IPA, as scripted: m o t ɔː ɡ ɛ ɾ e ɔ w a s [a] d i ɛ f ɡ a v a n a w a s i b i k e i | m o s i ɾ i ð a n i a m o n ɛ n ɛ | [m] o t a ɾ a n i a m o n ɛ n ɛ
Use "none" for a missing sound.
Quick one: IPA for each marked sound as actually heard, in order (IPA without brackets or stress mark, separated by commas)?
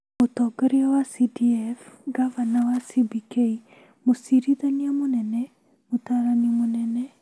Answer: i, m